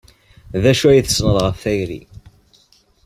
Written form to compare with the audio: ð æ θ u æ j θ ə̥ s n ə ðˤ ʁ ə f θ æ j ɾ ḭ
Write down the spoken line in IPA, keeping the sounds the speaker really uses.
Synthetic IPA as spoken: ð æ ʃ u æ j θ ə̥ s n ə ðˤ ʁ ə f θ æ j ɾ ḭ